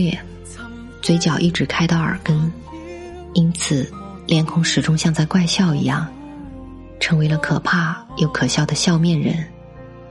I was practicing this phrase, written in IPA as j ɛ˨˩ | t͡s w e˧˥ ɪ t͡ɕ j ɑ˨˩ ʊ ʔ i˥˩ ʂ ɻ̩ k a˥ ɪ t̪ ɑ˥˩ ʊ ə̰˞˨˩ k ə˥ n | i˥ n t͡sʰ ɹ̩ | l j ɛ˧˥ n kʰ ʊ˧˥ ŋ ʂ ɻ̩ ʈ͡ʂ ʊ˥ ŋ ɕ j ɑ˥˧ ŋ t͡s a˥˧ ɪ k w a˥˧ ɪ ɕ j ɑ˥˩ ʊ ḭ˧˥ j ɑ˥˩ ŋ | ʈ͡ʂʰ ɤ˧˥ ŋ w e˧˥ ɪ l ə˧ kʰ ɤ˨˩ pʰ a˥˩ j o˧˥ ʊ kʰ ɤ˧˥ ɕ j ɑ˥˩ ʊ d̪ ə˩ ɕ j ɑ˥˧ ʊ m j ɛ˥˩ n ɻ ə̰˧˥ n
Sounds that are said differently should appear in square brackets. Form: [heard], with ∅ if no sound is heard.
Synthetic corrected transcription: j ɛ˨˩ | t͡s w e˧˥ ɪ t͡ɕ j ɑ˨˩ ʊ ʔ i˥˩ [ʈ͡ʂ] ɻ̩ [kʰ] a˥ ɪ t̪ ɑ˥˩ ʊ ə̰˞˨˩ k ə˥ n | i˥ n t͡sʰ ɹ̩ | l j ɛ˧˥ n kʰ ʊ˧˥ ŋ ʂ ɻ̩ ʈ͡ʂ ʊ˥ ŋ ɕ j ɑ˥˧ ŋ t͡s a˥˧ ɪ k w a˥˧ ɪ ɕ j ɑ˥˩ ʊ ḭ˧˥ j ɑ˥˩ ŋ | ʈ͡ʂʰ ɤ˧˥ ŋ w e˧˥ ɪ l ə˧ kʰ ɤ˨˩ pʰ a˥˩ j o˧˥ ʊ kʰ [ɤ˨˩] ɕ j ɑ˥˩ ʊ d̪ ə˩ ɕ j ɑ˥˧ ʊ m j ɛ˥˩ n ɻ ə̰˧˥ n